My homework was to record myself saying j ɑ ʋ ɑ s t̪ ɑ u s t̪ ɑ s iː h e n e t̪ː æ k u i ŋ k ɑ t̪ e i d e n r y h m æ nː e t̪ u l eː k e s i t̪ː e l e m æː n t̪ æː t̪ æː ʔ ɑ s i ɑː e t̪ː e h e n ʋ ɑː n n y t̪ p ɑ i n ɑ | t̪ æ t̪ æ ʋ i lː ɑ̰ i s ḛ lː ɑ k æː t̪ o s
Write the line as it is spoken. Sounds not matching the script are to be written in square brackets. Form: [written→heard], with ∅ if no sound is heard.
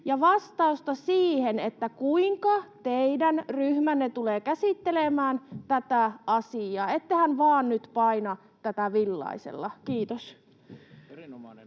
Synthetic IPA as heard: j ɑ ʋ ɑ s t̪ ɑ u s t̪ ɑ s iː h e n e t̪ː æ k u i ŋ k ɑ t̪ e i d [e→æ] n r y h m æ nː e t̪ u l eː k [e→æ] s i t̪ː e l e m æː n t̪ [æː→æ] t̪ [æː→æ] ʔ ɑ s i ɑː e t̪ː e h [e→æ] n ʋ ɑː n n y t̪ p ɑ i n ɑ | t̪ æ t̪ æ ʋ i lː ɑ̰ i s ḛ lː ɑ k [æː→iː] t̪ o s